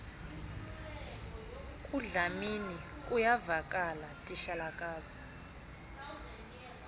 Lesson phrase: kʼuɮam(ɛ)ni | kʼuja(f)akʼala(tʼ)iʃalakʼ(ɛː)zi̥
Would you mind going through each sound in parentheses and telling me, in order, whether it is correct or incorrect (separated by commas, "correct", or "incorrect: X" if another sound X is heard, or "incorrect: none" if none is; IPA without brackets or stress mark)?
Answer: incorrect: i, incorrect: v, correct, incorrect: aː